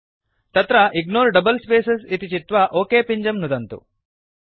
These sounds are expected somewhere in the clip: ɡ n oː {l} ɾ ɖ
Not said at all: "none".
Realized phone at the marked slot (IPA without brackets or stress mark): none